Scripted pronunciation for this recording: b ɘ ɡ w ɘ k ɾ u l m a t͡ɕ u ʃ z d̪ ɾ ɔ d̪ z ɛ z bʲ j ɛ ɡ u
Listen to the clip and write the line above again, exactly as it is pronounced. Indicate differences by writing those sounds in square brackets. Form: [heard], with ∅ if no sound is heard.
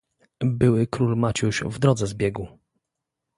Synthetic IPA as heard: b ɘ [∅] w ɘ k ɾ u l m a t͡ɕ u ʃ [v] d̪ ɾ ɔ d̪ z ɛ z bʲ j ɛ ɡ u